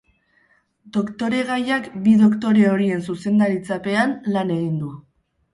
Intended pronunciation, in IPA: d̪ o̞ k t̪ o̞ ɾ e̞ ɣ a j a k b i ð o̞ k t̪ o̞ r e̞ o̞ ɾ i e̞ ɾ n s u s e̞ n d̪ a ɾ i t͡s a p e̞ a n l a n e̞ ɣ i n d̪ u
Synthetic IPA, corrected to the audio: d̪ o̞ k t̪ o̞ ɾ e̞ ɣ a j a k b i ð o̞ k t̪ o̞ ɾ e̞ o̞ ɾ i e̞ n s u s e̞ n d̪ a ɾ i t͡s a p e̞ a n l a n e̞ ɣ i n d̪ u